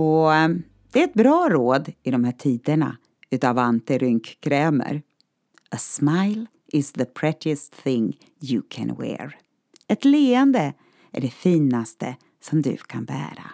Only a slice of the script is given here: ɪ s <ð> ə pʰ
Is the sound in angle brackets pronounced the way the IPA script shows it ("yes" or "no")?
yes